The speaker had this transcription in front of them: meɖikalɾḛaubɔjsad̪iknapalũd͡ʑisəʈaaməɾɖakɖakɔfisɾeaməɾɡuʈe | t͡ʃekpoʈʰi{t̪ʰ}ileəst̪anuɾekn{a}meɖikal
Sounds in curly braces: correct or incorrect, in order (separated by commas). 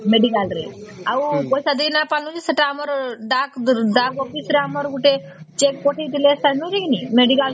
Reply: incorrect, incorrect